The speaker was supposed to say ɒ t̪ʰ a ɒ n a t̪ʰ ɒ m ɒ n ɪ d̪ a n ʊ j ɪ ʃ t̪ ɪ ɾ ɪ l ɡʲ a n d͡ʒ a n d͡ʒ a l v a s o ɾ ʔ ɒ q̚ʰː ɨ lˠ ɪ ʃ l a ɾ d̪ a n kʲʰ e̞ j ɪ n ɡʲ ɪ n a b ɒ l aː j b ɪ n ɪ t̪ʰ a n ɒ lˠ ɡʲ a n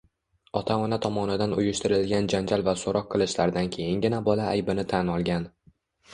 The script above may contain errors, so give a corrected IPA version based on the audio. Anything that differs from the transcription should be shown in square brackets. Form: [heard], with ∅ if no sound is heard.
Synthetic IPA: ɒ t̪ʰ a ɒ n a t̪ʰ ɒ m ɒ n ɪ d̪ a n ʊ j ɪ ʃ t̪ ɪ ɾ ɪ l ɡʲ a n d͡ʒ a n d͡ʒ a l v a s o ɾ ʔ ɒ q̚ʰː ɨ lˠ ɪ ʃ l a ɾ d̪ a n kʲʰ e̞ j ɪ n ɡʲ ɪ n a b ɒ l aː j b ɪ n ɪ t̪ʰ a n ɒ lˠ ɡʲ a n